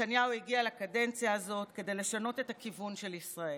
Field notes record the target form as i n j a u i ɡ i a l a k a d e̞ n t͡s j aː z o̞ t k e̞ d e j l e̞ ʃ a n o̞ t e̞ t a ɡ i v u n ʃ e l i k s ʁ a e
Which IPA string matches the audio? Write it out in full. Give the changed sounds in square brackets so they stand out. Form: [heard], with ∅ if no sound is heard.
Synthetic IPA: [a] n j a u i ɡ i a l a k a d e̞ n t͡s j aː z o̞ t k e̞ d e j l e̞ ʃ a n o̞ t e̞ t a [k] i v u n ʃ e l i [∅] s ʁ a e